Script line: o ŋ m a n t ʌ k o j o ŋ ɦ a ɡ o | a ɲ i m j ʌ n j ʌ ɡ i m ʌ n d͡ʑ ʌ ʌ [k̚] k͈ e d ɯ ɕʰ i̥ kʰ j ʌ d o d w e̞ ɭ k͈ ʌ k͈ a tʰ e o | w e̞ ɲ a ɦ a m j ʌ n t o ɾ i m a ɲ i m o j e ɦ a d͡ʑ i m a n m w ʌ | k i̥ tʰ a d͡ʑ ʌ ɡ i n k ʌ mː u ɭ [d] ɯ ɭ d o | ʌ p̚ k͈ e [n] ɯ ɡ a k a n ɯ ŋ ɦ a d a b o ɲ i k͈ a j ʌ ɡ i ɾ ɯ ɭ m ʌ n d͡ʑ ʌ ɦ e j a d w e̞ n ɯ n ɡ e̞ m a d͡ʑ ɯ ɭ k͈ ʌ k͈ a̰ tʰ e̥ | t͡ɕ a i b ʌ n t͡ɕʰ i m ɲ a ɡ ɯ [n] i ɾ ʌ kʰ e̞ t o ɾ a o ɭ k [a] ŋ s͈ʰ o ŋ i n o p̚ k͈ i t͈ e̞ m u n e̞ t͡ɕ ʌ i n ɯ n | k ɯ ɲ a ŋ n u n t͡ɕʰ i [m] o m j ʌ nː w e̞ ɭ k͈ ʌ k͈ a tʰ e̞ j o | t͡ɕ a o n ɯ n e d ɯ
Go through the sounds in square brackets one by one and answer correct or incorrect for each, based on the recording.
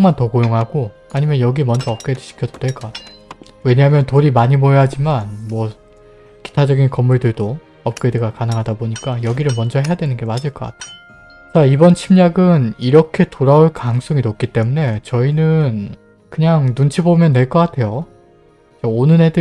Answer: incorrect: p̚, correct, incorrect: d, correct, correct, incorrect: b

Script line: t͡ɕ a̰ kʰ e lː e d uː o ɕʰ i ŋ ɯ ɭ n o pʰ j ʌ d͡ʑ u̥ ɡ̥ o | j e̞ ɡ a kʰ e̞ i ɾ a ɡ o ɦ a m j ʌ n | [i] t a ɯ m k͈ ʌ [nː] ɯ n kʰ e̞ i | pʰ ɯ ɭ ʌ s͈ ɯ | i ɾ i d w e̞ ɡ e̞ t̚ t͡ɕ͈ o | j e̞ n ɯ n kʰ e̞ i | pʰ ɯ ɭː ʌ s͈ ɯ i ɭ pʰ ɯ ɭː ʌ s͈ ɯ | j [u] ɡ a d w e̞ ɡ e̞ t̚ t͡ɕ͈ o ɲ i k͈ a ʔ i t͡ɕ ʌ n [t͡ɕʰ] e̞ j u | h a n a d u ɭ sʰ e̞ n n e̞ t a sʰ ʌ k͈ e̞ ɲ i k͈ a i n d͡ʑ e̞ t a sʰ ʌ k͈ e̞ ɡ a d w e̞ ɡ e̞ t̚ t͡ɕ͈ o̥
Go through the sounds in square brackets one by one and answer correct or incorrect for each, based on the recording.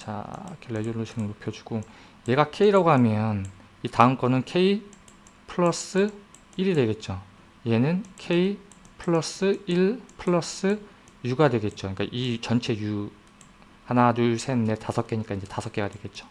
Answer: correct, incorrect: n, correct, correct

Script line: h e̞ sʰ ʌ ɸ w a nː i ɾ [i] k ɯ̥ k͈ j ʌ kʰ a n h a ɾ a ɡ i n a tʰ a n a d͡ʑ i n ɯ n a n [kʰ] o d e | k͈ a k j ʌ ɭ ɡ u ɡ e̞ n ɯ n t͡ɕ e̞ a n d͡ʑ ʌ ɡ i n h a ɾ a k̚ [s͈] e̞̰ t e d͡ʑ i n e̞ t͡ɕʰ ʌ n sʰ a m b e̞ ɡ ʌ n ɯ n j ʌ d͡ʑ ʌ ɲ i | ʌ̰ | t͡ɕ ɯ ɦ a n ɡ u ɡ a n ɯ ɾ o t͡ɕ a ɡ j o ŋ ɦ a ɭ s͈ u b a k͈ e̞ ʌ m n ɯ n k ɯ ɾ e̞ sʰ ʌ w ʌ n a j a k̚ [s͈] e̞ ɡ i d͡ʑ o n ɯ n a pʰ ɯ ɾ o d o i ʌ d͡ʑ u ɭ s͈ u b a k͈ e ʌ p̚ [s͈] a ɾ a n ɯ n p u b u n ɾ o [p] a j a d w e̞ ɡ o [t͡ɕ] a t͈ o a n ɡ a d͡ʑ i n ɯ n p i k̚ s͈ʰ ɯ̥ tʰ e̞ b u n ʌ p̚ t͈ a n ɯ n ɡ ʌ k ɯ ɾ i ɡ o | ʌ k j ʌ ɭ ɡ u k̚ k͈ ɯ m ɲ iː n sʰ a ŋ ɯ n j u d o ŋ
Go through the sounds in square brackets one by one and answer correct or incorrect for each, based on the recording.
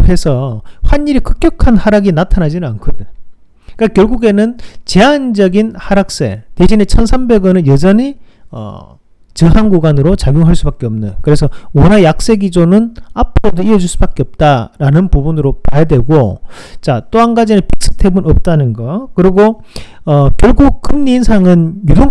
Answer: correct, correct, correct, correct, incorrect: t͈, correct, correct

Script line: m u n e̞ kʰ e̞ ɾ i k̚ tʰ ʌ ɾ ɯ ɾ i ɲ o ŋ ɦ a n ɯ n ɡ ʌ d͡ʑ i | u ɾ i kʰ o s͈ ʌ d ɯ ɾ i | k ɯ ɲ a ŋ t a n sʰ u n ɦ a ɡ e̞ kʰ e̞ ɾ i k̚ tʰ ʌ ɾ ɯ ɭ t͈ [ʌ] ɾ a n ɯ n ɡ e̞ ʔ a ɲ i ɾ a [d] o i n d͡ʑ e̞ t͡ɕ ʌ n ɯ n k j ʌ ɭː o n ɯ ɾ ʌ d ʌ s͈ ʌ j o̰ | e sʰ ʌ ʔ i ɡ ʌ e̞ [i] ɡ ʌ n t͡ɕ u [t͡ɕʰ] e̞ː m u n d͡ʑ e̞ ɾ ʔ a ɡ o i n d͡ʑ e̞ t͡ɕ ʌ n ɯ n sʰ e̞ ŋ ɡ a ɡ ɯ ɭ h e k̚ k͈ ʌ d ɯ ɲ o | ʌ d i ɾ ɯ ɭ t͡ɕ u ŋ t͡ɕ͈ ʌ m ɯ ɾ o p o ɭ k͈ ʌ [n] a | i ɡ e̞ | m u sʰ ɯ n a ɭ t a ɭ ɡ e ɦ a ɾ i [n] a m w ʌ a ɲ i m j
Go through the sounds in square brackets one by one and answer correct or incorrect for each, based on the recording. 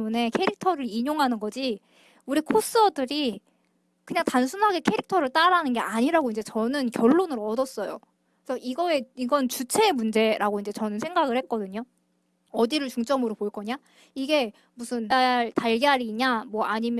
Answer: incorrect: a, incorrect: ɡ, correct, correct, incorrect: ɲ, incorrect: ɲ

